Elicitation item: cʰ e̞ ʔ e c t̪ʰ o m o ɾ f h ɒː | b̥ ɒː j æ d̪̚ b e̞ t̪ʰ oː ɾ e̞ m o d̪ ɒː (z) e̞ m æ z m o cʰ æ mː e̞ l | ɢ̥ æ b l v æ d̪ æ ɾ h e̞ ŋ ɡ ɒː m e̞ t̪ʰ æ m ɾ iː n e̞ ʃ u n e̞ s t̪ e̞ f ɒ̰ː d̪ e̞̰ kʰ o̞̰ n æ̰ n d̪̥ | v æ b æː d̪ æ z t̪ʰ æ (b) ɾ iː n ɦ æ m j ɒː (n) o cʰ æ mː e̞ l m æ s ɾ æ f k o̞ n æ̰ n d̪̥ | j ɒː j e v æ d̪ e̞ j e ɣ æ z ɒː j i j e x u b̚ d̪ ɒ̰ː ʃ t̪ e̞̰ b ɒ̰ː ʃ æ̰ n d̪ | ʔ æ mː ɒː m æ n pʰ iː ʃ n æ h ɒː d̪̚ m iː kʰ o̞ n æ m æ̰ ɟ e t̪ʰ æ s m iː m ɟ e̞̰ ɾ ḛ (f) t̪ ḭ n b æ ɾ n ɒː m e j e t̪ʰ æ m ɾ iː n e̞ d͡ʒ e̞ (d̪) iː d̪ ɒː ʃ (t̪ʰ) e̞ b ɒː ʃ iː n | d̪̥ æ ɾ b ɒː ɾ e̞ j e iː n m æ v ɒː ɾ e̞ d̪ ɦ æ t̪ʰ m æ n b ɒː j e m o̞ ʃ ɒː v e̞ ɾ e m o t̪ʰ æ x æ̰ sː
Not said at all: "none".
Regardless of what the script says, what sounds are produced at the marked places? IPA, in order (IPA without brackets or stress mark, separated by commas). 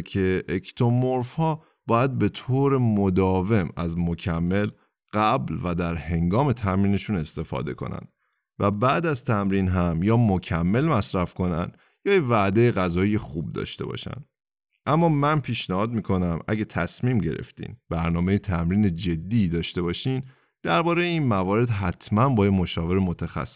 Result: v, m, m, f, d̪ː, t̪